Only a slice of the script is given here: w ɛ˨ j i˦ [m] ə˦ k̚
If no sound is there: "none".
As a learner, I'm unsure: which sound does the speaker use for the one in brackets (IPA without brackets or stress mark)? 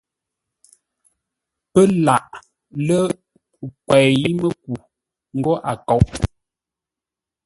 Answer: m